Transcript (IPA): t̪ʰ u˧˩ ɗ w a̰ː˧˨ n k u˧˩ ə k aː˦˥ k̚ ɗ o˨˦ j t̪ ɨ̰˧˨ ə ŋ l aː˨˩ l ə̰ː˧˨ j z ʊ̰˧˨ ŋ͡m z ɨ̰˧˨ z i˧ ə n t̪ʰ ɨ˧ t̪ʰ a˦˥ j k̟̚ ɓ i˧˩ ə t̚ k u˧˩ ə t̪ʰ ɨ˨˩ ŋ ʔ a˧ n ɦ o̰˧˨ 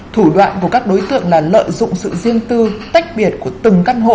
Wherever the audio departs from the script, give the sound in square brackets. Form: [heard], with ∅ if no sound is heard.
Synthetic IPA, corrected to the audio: t̪ʰ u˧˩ ɗ w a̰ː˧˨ n k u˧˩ ə k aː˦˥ k̚ ɗ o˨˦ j t̪ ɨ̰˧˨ ə ŋ l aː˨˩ l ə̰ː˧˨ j z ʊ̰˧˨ ŋ͡m [s] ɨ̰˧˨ z i˧ ə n [t̪] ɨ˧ [t̪] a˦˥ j k̟̚ ɓ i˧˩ ə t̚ k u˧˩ ə [t̪] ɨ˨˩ ŋ [k] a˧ n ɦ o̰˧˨

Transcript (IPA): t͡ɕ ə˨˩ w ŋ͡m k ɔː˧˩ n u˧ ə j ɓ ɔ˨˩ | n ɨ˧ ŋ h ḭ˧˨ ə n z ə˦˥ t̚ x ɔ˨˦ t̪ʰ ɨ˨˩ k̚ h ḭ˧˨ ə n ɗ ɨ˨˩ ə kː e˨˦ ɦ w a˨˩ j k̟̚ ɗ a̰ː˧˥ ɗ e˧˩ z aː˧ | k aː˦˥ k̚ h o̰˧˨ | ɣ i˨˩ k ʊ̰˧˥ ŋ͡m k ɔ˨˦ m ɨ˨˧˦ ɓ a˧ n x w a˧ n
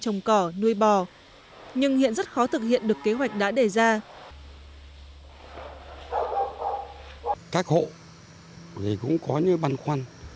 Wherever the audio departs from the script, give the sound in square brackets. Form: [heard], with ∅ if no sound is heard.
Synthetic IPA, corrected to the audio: t͡ɕ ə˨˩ w ŋ͡m k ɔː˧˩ n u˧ ə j ɓ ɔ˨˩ | [ɲ] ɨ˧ ŋ h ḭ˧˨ ə n z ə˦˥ t̚ x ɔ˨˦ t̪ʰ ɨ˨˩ k̚ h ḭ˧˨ ə n ɗ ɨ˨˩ ə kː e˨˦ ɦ w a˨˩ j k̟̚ ɗ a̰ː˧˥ ɗ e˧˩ z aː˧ | k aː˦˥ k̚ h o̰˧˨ | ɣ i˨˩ k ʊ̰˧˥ ŋ͡m k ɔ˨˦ [ɲ] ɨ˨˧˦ ɓ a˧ n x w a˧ n

